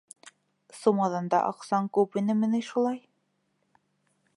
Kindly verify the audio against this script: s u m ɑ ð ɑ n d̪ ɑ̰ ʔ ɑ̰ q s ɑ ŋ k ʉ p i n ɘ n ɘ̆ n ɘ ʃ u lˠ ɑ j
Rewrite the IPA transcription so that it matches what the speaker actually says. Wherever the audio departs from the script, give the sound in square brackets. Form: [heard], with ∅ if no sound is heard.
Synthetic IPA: s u m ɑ ð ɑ n d̪ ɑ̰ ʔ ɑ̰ q s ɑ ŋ k ʉ p i n ɘ [m] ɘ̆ n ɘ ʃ u lˠ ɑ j